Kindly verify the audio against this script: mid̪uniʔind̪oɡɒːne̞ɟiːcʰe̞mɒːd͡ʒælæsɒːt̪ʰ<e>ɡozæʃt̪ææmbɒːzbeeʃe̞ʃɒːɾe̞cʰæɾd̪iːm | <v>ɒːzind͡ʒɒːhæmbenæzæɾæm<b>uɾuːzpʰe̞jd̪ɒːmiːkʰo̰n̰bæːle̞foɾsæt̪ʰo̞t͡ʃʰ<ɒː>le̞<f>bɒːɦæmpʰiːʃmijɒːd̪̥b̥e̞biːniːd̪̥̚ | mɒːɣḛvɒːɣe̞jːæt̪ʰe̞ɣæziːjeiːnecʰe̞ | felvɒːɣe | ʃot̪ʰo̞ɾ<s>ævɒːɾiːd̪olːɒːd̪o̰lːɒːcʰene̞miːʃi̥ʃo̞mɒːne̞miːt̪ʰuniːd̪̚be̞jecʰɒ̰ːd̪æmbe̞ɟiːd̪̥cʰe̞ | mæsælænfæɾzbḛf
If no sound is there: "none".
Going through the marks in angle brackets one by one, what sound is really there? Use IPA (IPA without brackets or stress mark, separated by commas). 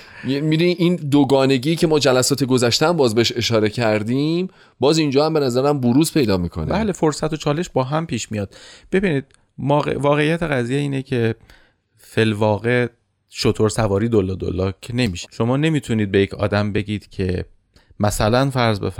e, b, b, ɒː, ʃ, s